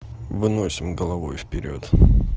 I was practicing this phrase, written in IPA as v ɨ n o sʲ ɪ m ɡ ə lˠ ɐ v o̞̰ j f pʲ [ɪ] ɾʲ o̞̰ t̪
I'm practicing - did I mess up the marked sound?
no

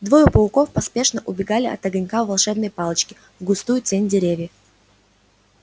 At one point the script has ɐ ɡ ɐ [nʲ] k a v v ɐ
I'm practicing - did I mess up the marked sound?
no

